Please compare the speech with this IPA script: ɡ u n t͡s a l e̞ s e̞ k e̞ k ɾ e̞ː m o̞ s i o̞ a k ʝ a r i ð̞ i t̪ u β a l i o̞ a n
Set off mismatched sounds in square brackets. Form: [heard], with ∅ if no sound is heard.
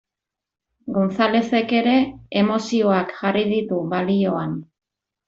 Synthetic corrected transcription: ɡ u n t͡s a l e̞ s e̞ k e̞ [∅] ɾ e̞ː m o̞ s i o̞ a k ʝ a r i ð̞ i t̪ u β a l i o̞ a n